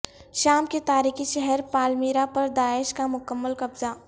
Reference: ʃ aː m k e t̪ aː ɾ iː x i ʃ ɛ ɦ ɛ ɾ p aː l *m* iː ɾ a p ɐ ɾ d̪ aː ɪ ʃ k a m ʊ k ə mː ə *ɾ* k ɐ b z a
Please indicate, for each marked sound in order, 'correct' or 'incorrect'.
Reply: correct, incorrect: l

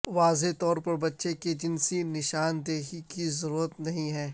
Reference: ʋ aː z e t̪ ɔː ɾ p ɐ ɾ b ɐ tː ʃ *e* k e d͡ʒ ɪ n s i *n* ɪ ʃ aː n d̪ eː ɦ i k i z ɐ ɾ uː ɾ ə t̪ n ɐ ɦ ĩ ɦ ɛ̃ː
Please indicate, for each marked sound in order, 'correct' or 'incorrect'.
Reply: correct, correct

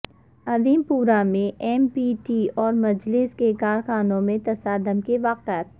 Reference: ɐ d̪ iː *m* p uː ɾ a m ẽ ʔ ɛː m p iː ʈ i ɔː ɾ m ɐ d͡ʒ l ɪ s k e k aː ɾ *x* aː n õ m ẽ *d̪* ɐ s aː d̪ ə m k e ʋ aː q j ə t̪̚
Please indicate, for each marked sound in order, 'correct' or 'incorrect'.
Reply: correct, correct, incorrect: t̪

